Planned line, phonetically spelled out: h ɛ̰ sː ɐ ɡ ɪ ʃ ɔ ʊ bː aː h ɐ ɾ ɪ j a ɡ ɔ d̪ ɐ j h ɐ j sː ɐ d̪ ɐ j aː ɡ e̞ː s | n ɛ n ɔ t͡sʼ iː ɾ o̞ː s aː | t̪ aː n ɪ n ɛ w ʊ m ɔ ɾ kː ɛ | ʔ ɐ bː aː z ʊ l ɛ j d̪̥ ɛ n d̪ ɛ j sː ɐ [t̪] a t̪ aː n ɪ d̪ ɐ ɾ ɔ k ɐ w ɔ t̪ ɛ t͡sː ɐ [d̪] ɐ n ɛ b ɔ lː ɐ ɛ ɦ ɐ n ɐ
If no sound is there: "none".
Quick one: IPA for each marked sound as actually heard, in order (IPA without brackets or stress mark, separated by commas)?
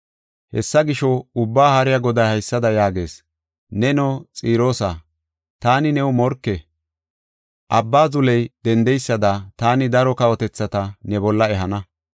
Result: d̪, t̪